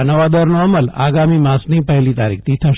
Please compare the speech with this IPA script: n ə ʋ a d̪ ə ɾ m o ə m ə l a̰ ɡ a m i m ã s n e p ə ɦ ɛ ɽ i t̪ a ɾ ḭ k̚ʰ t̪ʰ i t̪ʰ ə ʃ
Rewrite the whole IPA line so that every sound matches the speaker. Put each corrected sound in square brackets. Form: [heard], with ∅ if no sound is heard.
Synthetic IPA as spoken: n ə ʋ a d̪ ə ɾ [n] o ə m ə l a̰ ɡ a m i m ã s n [i] p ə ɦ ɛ [l] i t̪ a ɾ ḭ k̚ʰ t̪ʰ i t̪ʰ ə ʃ